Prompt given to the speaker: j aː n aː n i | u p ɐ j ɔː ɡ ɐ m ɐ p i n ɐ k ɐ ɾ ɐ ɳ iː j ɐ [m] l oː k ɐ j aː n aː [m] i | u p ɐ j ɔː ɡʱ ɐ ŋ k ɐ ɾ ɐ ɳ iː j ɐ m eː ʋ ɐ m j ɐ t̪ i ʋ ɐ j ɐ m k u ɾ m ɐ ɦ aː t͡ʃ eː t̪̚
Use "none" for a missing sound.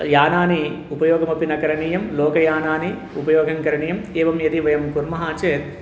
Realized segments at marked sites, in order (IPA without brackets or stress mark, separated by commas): m, n